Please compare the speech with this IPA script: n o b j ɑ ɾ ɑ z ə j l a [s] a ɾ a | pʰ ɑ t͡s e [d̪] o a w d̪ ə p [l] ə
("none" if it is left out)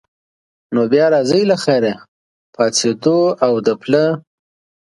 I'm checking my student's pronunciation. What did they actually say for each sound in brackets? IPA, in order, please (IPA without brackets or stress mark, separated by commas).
x, d̪, l